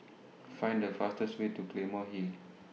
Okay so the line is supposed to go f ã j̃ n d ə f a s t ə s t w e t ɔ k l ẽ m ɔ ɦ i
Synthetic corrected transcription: f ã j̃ n d ə f a s t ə s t w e t u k l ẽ m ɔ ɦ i